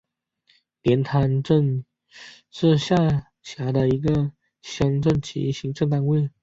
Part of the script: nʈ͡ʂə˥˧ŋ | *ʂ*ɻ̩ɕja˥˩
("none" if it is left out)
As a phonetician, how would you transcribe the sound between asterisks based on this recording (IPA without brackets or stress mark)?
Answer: ʂ